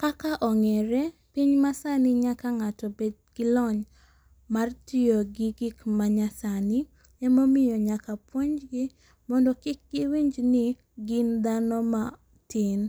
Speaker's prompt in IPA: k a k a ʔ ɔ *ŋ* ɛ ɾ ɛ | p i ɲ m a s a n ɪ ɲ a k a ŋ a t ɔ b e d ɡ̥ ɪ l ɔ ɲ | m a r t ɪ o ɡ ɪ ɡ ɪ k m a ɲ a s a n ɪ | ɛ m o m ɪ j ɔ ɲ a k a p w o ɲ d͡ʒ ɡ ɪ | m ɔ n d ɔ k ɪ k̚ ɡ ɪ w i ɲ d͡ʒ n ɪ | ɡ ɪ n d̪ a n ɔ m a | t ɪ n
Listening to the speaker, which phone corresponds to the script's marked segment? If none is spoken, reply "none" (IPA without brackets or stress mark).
ŋ